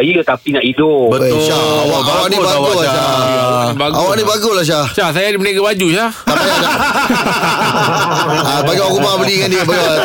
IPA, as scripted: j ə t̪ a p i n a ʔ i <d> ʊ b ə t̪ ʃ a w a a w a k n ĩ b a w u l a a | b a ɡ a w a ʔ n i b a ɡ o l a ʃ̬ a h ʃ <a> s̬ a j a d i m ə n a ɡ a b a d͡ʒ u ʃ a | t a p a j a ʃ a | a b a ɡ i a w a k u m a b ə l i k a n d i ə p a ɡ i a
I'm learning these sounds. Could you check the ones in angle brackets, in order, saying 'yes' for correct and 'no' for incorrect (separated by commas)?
yes, yes